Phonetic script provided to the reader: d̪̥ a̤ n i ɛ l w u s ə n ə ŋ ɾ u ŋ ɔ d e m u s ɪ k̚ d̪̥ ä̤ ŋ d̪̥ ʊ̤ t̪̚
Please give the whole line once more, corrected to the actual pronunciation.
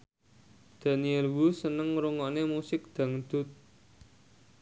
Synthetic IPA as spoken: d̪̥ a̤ n i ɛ l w u s ə n ə ŋ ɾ u ŋ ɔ n e m u s ɪ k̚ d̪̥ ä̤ ŋ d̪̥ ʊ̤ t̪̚